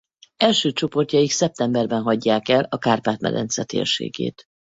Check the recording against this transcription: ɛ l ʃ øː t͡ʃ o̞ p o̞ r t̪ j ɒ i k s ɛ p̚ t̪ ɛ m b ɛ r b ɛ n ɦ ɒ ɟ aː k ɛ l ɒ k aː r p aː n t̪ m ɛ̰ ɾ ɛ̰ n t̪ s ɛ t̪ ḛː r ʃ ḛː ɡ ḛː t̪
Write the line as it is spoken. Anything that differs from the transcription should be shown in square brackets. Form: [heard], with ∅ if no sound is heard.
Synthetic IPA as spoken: ɛ l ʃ øː t͡ʃ o̞ p o̞ r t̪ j ɒ i k s ɛ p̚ t̪ ɛ m b ɛ r b ɛ n ɦ ɒ [ɟː] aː k ɛ l ɒ k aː r p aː [∅] t̪ m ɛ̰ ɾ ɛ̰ n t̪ s ɛ t̪ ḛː r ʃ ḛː ɡ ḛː t̪